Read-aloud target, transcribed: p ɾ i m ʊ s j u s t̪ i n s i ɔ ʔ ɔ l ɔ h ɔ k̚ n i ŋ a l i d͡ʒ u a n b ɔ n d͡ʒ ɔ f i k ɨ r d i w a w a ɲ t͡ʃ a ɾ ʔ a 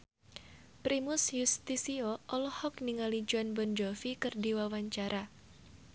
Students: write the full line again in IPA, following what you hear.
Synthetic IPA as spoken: p ɾ i m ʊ s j u s t̪ i s i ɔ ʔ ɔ l ɔ h ɔ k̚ n i ŋ a l i d͡ʒ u a n b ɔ n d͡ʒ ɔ f i k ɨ r d i w a w a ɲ t͡ʃ a ɾ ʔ a